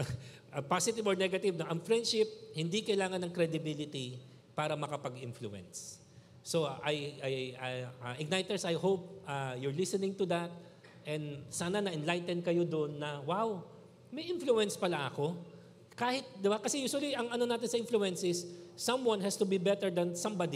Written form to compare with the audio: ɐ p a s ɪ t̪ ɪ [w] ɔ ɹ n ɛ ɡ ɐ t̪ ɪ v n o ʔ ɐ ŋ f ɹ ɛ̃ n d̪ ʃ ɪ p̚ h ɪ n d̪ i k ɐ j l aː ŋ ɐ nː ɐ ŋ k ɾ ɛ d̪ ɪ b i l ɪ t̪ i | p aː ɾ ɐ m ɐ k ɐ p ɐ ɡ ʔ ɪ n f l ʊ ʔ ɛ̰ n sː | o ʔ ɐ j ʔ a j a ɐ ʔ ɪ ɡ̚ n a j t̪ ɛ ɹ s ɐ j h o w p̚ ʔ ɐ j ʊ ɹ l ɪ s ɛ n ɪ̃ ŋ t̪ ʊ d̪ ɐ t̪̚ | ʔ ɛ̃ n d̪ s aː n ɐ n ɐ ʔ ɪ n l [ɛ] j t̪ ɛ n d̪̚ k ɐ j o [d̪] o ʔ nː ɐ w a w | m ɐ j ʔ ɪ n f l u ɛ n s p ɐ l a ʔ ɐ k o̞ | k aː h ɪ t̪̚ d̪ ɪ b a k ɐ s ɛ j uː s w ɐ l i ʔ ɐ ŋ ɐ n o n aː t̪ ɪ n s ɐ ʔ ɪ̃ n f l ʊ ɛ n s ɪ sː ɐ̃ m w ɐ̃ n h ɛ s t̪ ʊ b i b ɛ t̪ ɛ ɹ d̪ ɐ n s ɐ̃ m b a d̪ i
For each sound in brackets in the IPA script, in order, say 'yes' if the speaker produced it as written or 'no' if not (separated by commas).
no, no, yes